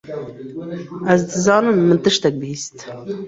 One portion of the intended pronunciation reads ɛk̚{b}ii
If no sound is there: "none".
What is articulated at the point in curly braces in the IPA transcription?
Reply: b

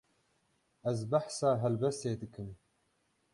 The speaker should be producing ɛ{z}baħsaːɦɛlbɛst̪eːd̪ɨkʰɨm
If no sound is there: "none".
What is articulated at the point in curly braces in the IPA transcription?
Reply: z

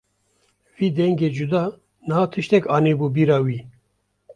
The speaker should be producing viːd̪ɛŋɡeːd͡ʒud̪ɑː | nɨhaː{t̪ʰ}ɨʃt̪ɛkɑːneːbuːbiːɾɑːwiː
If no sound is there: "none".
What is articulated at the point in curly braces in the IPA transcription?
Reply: t̪ʰ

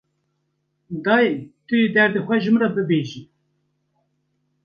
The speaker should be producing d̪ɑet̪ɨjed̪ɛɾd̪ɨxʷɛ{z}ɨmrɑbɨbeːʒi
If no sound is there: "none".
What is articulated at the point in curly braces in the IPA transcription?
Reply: ʒ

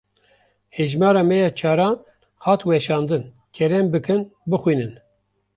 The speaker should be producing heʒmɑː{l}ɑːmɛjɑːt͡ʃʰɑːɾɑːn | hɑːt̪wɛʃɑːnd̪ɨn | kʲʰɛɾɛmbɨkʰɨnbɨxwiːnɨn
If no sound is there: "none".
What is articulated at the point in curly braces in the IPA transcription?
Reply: ɾ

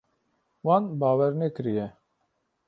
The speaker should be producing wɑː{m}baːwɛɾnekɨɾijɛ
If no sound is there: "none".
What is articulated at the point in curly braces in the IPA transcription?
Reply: n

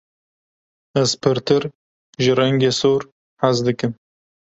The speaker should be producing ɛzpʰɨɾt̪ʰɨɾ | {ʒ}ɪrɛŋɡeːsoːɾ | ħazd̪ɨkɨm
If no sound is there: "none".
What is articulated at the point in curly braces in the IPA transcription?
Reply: ʒ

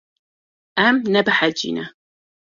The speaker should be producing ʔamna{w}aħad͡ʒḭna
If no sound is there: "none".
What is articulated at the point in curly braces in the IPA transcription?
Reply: b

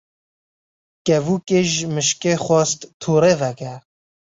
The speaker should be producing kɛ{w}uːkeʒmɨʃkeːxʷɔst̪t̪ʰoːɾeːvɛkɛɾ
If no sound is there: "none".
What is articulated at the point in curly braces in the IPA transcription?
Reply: v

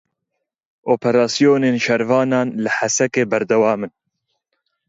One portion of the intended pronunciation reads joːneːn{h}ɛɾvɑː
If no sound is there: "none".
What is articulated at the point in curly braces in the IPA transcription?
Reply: ʃ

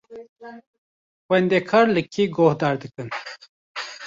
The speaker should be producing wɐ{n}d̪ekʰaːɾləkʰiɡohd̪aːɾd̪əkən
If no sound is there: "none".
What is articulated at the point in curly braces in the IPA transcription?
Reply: n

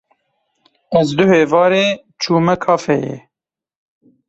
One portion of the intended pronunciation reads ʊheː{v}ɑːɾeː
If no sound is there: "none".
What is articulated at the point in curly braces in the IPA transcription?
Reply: v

